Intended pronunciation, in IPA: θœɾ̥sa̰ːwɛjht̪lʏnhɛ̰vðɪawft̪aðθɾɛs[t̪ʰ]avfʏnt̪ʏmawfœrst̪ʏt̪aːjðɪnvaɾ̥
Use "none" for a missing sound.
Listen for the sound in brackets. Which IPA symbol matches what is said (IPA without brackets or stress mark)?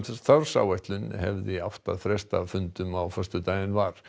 t̪